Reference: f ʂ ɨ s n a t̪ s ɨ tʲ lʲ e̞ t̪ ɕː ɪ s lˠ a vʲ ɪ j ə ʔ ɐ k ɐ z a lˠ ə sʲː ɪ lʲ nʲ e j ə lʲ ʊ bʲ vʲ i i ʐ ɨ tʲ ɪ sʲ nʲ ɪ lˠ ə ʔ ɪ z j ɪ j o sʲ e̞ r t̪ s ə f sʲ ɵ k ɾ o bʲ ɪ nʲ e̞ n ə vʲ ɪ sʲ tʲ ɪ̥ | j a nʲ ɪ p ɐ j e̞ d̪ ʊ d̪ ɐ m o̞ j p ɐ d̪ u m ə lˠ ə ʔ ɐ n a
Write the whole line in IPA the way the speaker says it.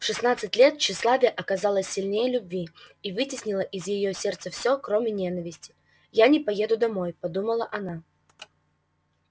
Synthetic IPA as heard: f ʂ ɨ s n a t̪ s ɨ tʲ lʲ e̞ t̪ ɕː ɪ s lˠ a vʲ ɪ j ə ʔ ɐ k ɐ z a lˠ ə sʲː ɪ lʲ nʲ e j ə lʲ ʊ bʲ vʲ i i v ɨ tʲ ɪ sʲ nʲ ɪ lˠ ə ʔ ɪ z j ɪ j o sʲ e̞ r t̪ s ə f sʲ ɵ k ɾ o mʲ ɪ nʲ e̞ n ə vʲ ɪ sʲ tʲ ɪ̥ | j a nʲ ɪ p ɐ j e̞ d̪ ʊ d̪ ɐ m o̞ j p ɐ d̪ u m ə lˠ ə ʔ ɐ n a